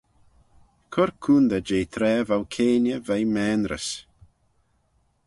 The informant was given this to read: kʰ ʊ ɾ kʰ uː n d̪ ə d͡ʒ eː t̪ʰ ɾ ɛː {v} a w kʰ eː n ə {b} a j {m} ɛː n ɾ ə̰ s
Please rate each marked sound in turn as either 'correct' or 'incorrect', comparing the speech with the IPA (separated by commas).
correct, incorrect, correct